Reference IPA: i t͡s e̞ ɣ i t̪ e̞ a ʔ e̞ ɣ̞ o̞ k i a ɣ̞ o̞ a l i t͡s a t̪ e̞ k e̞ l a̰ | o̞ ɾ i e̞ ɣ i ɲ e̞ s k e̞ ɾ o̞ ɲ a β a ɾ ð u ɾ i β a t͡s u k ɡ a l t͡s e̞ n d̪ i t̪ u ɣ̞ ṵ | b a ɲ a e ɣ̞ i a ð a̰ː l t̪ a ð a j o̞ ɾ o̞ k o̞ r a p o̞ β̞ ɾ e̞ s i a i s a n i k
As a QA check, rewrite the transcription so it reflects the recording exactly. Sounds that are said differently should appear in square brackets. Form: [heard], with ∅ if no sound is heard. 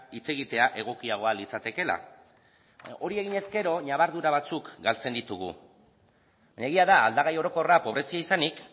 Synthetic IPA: i t͡s e̞ ɣ i t̪ e̞ a ʔ e̞ ɣ̞ o̞ k i a ɣ̞ o̞ a l i t͡s a t̪ e̞ k e̞ l a̰ | o̞ ɾ i e̞ ɣ i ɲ e̞ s k e̞ ɾ o̞ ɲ a β a ɾ ð u ɾ [a] β a t͡s u k ɡ a l t͡s e̞ n d̪ i t̪ u ɣ̞ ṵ | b a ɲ a e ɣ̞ i a ð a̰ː l [d̪] a [ɣ] a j o̞ ɾ o̞ k o̞ r a p o̞ β̞ ɾ e̞ s i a i s a n i k